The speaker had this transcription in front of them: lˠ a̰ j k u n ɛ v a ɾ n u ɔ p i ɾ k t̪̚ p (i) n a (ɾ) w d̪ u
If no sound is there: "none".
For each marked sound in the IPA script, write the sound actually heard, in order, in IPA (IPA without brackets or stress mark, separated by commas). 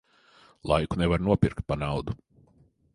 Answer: a, none